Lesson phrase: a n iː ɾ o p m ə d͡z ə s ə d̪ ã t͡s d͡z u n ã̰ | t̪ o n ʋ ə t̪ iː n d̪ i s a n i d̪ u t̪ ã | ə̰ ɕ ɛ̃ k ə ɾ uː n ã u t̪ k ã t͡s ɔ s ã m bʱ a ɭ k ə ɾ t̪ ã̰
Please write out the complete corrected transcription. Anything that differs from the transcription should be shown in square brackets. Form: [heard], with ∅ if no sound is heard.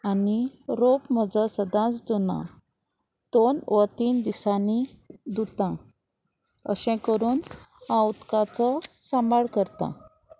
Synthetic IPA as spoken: a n [i] ɾ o p m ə d͡z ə s ə d̪ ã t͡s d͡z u n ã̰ | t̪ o n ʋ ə t̪ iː n d̪ i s a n i d̪ u t̪ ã | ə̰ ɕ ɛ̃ k ə ɾ uː n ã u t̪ k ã t͡s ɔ s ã m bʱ a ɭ k ə ɾ t̪ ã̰